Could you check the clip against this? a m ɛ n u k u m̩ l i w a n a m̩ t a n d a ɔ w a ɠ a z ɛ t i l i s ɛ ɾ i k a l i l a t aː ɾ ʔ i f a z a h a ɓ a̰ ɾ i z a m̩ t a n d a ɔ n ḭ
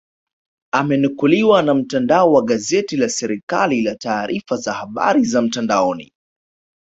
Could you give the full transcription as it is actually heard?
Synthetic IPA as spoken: a m ɛ n u k u l i w a n a m̩ t a n d a ɔ w a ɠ a z ɛ t i l a s ɛ ɾ i k a l i l a t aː ɾ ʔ i f a z a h a ɓ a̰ ɾ i z a m̩ t a n d a ɔ n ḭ